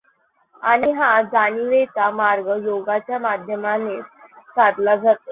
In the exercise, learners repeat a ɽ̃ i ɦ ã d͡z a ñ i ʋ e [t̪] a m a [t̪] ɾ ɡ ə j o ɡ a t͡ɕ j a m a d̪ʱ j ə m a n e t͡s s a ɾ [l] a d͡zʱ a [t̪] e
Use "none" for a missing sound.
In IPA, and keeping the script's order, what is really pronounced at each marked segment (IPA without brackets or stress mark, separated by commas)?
t̪, none, l, t̪